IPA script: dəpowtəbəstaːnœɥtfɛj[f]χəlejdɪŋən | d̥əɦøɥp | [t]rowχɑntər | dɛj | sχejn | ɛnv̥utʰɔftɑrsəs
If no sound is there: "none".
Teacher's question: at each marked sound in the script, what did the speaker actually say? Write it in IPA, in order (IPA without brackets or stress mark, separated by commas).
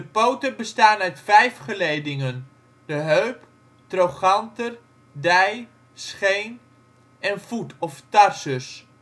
f, t